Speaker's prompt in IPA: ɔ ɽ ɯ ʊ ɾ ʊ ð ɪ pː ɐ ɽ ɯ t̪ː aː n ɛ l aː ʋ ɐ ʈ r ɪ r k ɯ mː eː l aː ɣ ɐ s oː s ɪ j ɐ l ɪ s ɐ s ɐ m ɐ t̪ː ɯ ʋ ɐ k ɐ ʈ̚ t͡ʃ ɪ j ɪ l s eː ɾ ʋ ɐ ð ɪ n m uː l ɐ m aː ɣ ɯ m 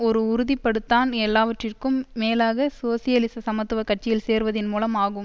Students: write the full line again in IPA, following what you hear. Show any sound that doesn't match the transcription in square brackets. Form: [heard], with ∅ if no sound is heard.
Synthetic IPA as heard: ɔ [ɾ] ɯ ʊ ɾ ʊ ð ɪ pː ɐ ɽ ɯ t̪ː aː n ɛ [lː] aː ʋ ɐ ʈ r ɪ r k ɯ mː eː l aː ɣ ɐ s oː s ɪ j ɐ l ɪ s ɐ s ɐ m ɐ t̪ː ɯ ʋ ɐ k ɐ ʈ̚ t͡ʃ ɪ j ɪ l s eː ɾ ʋ ɐ ð ɪ n m uː l ɐ m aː ɣ ɯ m